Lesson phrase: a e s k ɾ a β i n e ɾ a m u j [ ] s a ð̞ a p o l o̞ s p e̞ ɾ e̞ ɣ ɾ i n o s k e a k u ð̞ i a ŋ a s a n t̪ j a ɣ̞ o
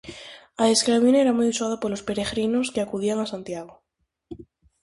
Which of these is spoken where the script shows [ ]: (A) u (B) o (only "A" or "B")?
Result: A